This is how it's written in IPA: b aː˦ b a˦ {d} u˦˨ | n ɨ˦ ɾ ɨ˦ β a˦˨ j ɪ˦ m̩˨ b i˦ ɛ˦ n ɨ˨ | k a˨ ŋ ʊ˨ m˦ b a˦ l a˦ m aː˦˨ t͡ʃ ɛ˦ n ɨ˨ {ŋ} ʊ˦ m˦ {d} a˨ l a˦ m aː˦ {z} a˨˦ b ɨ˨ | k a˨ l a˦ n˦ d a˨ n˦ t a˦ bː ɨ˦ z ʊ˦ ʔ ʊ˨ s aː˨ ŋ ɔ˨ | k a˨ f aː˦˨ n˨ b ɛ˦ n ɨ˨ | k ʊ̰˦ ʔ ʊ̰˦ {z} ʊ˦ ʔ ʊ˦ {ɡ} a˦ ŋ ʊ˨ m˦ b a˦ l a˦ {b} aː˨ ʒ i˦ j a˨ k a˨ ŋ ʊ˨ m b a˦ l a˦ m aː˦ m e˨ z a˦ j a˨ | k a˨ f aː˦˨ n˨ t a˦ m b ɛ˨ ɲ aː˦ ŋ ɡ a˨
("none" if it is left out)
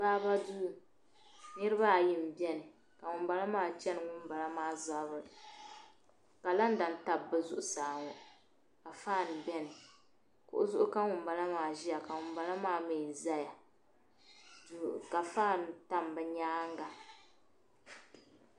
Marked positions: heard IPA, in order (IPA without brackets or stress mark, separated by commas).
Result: d, ŋ, b, z, z, k, m